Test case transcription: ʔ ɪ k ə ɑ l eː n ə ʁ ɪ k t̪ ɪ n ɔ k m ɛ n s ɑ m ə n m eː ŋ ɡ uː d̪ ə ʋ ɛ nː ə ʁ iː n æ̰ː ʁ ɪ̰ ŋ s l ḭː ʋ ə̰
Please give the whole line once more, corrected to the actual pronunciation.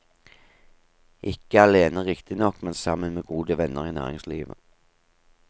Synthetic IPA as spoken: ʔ ɪ k ə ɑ l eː n ə ʁ ɪ k t̪ ɪ n ɔ k m ɛ n s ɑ m ə n m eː ɡ uː d̪ ə ʋ ɛ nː ə ʁ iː n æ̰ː ʁ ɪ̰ ŋ s l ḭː ʋ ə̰